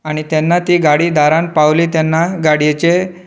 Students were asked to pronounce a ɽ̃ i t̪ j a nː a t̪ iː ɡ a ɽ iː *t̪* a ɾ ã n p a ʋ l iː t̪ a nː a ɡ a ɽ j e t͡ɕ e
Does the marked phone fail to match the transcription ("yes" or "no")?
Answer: yes